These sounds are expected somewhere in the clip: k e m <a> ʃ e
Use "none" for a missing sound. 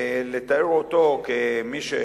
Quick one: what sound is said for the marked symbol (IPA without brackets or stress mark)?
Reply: i